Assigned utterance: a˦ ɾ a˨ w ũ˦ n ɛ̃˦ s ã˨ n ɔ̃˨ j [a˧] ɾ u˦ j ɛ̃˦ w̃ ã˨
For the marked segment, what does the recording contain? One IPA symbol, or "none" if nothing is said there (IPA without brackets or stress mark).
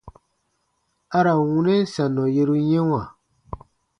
e˧